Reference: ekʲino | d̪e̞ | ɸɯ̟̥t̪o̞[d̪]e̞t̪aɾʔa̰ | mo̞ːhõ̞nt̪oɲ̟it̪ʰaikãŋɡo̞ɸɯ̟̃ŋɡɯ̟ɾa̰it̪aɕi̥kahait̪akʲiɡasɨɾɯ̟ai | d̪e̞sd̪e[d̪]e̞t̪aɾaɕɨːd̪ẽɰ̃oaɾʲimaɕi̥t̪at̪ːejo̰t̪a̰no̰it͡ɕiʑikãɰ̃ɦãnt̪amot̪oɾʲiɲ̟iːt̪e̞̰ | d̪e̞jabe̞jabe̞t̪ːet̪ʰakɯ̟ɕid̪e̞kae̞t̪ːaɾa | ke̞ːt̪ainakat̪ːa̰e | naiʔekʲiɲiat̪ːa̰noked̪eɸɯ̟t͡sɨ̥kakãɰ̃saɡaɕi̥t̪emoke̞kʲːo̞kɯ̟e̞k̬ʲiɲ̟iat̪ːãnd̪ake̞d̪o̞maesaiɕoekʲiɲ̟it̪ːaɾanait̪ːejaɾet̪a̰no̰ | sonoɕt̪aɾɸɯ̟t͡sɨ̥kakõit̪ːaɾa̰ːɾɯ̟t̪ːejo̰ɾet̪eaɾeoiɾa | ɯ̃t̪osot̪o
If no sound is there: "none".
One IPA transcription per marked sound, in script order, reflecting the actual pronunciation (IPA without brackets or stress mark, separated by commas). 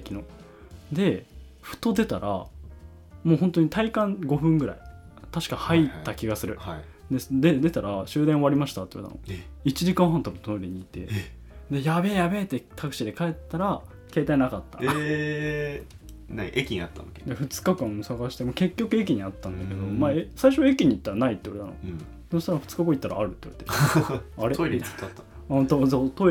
d̪, d̪